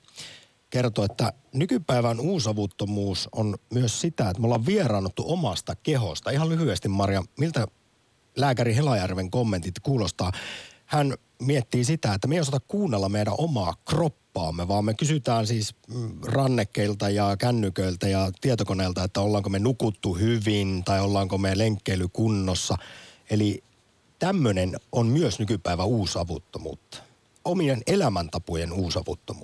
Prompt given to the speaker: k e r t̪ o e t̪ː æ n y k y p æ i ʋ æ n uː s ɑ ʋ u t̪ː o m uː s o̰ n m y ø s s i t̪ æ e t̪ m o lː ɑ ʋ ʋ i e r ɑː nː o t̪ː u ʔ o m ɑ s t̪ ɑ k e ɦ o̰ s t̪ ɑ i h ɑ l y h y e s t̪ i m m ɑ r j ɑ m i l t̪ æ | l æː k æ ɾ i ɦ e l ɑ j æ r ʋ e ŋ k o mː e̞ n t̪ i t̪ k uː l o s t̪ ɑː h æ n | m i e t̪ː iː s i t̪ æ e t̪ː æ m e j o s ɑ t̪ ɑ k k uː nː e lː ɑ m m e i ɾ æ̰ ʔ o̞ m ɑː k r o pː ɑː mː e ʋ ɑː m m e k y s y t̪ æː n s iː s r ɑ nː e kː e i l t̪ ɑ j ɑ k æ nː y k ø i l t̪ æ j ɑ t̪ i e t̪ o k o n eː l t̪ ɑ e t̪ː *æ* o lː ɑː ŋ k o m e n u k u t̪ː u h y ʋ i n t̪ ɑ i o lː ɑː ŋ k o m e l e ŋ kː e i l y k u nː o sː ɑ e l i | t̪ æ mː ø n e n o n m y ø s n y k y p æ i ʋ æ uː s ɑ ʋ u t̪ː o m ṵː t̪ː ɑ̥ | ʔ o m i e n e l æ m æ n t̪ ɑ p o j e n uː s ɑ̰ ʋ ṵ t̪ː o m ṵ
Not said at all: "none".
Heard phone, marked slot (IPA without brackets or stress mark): æ